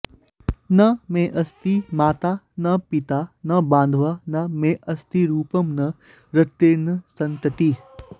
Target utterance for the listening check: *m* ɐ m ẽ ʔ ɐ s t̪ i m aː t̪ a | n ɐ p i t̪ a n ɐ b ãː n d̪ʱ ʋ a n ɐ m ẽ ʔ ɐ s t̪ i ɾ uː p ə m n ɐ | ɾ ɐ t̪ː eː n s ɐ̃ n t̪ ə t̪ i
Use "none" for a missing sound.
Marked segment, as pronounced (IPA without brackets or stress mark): n